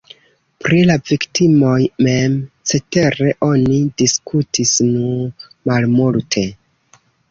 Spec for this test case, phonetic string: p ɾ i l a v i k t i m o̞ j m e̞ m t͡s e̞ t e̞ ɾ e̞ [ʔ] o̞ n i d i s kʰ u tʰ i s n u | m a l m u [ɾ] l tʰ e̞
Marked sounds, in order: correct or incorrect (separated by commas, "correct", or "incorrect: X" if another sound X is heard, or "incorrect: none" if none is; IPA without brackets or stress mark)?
correct, incorrect: none